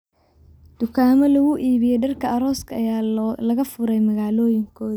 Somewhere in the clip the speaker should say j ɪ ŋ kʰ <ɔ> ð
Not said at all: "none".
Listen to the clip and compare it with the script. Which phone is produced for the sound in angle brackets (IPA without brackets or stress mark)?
ɔː